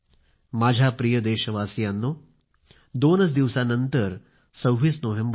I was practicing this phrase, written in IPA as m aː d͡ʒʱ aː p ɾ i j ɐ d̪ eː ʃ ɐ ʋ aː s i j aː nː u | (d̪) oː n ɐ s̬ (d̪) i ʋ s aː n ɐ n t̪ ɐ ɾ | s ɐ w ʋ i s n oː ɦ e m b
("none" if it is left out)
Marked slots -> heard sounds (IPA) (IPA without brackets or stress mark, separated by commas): d̪, d̪